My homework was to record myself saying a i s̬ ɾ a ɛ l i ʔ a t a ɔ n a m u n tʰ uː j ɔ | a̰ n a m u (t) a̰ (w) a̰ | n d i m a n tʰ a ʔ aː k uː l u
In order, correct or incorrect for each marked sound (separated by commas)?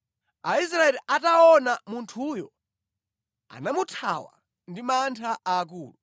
incorrect, correct